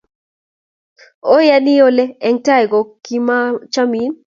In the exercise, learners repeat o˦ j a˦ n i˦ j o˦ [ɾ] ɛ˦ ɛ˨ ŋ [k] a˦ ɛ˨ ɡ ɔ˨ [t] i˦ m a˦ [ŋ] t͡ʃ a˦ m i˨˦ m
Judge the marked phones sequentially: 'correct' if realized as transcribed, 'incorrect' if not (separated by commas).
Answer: incorrect, incorrect, incorrect, incorrect